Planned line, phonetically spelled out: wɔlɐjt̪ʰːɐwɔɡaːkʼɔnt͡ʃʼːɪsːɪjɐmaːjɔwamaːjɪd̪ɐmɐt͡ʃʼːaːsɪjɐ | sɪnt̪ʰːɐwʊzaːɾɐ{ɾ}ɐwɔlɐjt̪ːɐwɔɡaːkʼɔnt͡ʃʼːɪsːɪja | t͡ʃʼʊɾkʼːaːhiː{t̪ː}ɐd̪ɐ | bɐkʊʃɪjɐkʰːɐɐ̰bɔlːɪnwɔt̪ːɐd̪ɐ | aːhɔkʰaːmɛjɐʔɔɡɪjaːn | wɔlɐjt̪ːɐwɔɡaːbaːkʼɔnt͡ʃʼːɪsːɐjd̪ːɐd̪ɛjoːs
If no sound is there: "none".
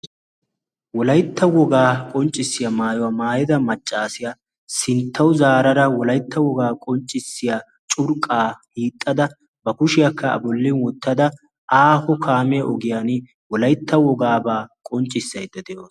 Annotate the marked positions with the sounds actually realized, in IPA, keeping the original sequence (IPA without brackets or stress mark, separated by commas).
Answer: ɾ, t̪ʼː